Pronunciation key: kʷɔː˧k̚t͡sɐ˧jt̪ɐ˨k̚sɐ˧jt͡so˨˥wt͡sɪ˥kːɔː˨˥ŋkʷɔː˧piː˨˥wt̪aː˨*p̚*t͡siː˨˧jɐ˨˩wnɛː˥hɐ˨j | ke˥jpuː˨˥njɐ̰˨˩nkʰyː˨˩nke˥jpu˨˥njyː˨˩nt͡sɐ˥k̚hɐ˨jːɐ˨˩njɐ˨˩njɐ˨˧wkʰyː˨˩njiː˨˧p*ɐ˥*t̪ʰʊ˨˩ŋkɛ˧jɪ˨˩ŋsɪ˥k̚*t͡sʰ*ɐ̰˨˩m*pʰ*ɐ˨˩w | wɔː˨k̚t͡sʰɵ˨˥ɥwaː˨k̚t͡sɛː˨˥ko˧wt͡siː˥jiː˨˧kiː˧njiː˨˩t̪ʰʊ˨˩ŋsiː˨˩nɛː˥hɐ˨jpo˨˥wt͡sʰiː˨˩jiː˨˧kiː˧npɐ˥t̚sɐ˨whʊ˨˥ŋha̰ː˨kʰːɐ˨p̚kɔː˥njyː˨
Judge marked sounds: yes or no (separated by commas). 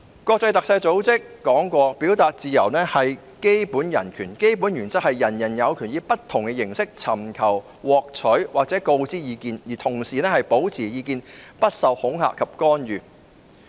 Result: no, yes, yes, no